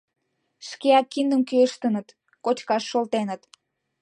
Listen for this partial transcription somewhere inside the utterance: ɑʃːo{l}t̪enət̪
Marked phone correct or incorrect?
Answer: correct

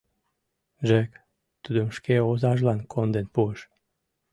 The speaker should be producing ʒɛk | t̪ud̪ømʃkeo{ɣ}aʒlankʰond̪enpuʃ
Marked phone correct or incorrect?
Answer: incorrect: z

